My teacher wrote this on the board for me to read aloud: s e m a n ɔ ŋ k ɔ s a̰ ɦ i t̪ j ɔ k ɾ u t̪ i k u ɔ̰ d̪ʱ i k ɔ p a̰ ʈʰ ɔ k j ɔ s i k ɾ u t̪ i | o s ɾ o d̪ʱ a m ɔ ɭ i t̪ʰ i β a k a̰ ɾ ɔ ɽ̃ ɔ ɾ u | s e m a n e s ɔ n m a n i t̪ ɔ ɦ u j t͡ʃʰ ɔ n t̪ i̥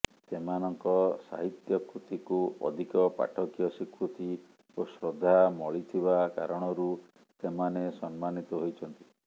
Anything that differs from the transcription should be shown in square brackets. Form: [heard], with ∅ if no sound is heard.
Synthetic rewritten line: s e m a n ɔ ŋ k ɔ s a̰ ɦ i t̪ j ɔ k ɾ u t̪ i k u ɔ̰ d̪ʱ i k ɔ p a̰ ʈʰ ɔ k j ɔ s i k ɾ u t̪ i | o s ɾ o d̪ʱ a m ɔ ɭ i t̪ʰ i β a k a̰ ɾ ɔ ɽ̃ ɔ ɾ u | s e m a n e s ɔ n m a n i t̪ ɔ ɦ [o] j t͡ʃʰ ɔ n t̪ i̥